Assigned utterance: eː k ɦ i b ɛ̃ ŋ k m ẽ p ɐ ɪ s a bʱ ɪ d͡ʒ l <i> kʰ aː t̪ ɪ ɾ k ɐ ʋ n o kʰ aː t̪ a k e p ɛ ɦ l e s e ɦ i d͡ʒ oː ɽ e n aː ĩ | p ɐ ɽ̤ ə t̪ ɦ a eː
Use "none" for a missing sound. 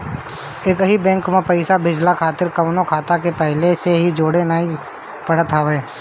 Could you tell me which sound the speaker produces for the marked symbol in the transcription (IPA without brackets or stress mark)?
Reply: a